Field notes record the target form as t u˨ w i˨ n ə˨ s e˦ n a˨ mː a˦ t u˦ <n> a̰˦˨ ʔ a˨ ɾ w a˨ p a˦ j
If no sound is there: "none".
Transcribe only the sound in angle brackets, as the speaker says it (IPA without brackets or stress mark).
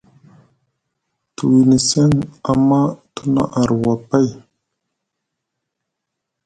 n